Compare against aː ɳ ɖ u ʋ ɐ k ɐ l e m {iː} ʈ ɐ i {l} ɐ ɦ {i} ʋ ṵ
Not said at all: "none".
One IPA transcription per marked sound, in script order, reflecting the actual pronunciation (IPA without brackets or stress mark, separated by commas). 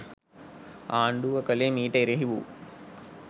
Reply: iː, ɾ, i